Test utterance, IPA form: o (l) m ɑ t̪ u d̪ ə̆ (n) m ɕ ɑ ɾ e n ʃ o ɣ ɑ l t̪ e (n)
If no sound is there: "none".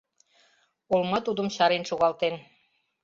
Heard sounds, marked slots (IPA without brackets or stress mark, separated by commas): l, none, n